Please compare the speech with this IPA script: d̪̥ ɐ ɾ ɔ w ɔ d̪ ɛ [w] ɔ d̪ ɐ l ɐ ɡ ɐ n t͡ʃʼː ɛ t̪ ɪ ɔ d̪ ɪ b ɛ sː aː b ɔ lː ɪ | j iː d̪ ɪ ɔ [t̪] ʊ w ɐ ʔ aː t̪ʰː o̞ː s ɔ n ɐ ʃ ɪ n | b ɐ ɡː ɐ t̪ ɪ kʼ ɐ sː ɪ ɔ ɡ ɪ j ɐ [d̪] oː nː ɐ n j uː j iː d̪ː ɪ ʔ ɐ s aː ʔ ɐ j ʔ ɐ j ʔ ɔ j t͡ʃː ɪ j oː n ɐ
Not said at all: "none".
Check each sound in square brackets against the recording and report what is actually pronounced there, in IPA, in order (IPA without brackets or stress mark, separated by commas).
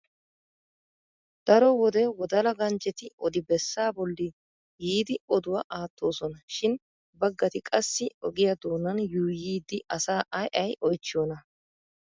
w, d̪, d̪